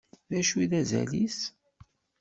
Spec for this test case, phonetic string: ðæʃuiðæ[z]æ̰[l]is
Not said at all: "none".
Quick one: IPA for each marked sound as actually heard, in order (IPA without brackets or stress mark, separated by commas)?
z, l